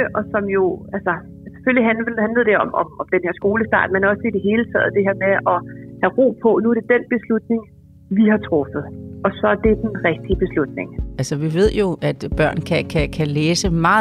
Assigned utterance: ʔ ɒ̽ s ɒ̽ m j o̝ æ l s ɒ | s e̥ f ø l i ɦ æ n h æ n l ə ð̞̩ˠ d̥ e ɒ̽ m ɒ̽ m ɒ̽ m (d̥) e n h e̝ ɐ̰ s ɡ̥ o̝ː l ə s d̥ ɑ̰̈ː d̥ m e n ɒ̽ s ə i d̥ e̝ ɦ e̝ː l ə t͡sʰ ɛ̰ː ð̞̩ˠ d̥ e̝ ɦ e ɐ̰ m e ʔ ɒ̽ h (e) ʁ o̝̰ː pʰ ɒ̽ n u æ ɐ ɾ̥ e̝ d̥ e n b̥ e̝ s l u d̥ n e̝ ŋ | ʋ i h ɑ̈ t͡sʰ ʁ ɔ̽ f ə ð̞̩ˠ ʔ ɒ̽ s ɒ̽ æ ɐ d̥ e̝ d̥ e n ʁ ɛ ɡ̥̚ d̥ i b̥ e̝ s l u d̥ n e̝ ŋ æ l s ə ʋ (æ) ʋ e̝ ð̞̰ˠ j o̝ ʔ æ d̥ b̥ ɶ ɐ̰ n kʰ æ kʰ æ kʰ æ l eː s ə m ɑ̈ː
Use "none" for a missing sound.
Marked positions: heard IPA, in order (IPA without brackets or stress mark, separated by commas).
d̥, æ, i